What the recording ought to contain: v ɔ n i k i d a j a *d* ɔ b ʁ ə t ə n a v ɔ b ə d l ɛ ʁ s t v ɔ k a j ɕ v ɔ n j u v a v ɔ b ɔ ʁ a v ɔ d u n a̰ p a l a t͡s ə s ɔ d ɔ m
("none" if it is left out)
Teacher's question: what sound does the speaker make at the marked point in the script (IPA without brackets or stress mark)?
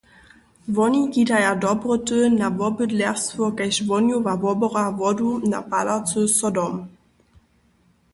d